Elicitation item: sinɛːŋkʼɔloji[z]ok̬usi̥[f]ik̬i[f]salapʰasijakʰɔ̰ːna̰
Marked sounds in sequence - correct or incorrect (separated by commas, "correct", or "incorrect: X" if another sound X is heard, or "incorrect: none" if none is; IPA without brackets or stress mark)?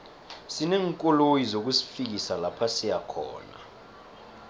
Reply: correct, correct, incorrect: none